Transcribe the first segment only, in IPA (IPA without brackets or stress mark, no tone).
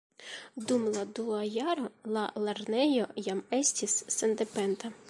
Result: d̪